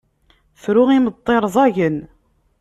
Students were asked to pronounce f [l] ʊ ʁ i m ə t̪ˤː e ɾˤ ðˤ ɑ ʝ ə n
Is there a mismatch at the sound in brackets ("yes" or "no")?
yes